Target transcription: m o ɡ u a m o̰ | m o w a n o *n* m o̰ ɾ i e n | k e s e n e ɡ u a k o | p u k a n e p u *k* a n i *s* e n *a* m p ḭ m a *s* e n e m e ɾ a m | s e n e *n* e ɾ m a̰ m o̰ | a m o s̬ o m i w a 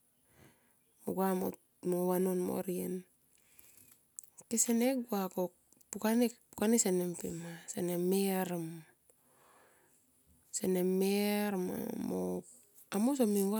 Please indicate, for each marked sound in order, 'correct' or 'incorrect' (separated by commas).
correct, correct, correct, incorrect, correct, incorrect